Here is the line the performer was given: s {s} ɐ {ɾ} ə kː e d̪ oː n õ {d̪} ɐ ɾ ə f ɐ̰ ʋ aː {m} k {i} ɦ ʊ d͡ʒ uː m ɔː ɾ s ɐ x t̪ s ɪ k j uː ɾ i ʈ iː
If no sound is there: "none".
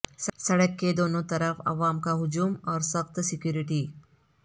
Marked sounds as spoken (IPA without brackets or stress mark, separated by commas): s, ɽ, t̪, m, a